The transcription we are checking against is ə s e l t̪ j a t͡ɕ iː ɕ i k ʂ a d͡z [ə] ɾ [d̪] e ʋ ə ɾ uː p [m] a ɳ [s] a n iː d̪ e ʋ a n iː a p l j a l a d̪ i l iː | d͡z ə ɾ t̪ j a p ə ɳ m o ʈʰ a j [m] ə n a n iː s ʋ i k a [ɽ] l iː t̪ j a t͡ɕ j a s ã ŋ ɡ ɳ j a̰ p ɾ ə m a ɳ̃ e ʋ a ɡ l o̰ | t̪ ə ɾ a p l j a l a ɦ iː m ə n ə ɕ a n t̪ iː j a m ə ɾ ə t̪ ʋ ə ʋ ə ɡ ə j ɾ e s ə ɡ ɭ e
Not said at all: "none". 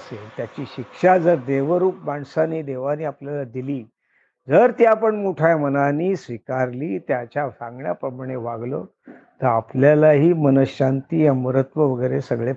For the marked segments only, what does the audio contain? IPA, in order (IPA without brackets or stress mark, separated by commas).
ə, d̪, m, s, m, ɾ